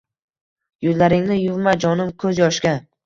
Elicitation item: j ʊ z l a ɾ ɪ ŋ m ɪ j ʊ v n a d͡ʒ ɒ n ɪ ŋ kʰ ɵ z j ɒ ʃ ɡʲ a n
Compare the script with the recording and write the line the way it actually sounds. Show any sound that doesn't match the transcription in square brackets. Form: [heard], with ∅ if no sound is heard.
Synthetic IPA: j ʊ z l a ɾ ɪ ŋ [n] ɪ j ʊ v [m] a d͡ʒ ɒ n ɪ [m] kʰ ɵ z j ɒ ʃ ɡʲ a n